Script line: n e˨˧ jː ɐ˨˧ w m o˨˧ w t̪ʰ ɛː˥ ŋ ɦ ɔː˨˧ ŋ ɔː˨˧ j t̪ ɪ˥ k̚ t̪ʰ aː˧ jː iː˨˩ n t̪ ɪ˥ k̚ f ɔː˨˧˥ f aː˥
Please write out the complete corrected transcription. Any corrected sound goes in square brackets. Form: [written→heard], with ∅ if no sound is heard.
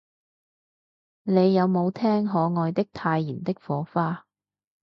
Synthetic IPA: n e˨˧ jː ɐ˨˧ w m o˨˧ w t̪ʰ ɛː˥ ŋ ɦ ɔː˨˧ ŋ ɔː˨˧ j t̪ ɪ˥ k̚ t̪ʰ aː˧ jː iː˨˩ n t̪ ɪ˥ k̚ f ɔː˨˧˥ f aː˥